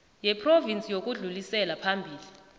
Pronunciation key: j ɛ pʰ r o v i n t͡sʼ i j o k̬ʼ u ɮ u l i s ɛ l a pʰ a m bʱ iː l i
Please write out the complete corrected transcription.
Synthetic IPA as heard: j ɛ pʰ r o v i n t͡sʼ i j o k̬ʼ u ɮ u l i s ɛ l a pʰ a m bʱ iː l i